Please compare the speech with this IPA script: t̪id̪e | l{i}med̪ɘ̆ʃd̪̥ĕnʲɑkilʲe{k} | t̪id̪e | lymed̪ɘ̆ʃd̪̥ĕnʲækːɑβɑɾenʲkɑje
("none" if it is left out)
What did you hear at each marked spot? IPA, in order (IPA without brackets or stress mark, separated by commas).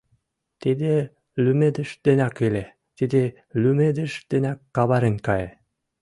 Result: y, none